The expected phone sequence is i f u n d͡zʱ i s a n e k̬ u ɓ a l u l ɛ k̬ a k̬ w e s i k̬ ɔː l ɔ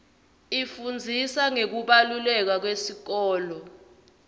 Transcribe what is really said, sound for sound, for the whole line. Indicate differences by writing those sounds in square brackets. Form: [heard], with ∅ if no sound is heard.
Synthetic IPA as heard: i f u n d͡zʱ i s a [ŋ] e k̬ u ɓ a l u l ɛ k̬ a k̬ w e s i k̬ ɔː l ɔ